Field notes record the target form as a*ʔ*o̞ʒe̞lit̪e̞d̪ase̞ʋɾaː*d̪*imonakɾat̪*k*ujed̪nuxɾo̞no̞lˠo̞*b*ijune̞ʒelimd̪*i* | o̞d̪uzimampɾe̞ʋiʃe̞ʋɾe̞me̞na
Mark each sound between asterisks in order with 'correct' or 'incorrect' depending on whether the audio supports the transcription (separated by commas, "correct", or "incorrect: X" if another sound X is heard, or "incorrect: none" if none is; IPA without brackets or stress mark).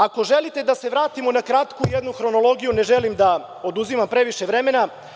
incorrect: k, incorrect: t̪, correct, incorrect: ɡ, incorrect: a